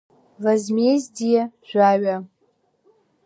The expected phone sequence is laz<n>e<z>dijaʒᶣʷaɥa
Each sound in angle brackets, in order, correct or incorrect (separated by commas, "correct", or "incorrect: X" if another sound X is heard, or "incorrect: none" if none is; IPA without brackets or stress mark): incorrect: m, correct